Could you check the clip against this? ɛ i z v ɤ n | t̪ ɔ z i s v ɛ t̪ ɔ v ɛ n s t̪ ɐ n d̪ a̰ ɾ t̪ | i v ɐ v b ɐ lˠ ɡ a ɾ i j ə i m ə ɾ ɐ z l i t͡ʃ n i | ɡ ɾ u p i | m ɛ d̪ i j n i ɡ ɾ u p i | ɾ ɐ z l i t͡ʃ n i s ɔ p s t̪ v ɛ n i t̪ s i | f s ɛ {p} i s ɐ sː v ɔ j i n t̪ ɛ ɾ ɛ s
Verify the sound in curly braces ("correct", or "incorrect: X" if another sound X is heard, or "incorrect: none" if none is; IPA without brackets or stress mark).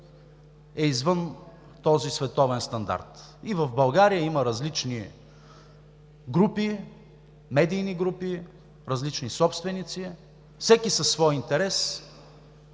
incorrect: k